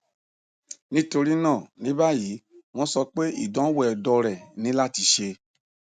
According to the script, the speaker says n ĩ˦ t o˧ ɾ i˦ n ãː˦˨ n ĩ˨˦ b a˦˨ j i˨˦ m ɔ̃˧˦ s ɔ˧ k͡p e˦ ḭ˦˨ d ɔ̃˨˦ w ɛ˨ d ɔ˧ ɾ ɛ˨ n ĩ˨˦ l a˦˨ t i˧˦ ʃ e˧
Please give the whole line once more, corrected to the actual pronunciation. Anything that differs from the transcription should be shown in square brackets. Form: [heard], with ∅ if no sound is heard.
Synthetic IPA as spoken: n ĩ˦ t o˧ ɾ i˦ n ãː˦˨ n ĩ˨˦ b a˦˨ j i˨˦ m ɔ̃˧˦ s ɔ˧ k͡p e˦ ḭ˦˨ d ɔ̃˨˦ w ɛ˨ d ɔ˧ ɾ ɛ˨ n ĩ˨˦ l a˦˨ t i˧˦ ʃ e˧

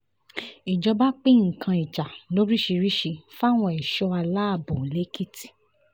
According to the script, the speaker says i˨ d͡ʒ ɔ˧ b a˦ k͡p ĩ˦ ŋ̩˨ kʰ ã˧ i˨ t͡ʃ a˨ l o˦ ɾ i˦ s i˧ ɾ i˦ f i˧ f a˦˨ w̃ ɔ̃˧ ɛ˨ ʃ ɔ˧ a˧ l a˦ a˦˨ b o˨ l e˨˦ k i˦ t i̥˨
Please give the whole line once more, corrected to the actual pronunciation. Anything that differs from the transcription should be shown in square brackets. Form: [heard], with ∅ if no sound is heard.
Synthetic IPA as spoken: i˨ d͡ʒ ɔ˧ b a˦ k͡p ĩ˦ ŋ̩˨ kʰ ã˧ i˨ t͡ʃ a˨ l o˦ ɾ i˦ [ʃ] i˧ ɾ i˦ [ʃ] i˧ f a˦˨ w̃ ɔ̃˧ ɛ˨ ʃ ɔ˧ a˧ l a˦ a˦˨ b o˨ l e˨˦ k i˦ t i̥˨

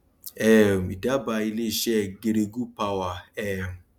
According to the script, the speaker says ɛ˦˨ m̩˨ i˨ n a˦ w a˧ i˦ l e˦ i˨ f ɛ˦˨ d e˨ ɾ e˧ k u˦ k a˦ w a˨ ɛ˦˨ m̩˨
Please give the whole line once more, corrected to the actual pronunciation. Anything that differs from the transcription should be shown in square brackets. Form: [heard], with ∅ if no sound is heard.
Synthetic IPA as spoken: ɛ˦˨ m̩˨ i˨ [d] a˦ [b] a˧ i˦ l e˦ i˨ [ʃ] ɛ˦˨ [ɡ] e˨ ɾ e˧ [ɡ] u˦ [p] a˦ w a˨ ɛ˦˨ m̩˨

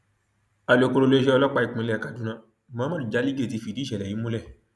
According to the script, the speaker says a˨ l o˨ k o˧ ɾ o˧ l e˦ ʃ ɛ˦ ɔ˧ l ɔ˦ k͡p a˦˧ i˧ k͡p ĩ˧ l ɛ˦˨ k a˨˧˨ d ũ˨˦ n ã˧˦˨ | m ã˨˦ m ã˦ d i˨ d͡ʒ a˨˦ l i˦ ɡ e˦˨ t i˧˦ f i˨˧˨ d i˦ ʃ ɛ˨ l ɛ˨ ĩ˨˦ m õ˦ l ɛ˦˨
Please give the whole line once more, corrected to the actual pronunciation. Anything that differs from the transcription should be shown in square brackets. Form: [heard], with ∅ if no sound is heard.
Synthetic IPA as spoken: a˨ l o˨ k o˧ ɾ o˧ l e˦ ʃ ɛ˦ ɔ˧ l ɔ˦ k͡p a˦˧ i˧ k͡p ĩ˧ l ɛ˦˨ k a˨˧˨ d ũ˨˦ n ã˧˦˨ | m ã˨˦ m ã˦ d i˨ d͡ʒ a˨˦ l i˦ ɡ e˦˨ t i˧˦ f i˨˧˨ d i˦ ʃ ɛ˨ l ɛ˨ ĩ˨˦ m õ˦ l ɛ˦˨

